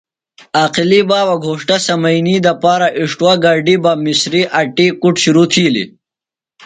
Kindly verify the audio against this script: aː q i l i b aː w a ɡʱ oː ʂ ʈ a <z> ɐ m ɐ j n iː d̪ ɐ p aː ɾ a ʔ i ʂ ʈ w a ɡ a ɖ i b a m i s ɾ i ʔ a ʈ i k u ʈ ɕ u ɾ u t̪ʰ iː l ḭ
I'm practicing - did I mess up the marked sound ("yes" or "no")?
yes